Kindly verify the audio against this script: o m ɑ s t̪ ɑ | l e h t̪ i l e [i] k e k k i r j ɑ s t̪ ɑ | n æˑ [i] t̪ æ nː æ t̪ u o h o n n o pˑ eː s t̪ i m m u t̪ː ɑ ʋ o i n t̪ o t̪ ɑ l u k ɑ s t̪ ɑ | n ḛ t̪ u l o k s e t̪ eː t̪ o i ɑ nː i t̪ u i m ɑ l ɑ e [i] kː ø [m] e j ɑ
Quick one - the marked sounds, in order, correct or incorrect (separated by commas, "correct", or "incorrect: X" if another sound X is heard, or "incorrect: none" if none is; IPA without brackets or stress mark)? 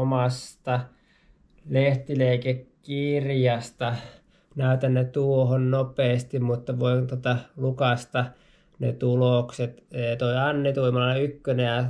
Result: correct, incorrect: y, incorrect: y, incorrect: n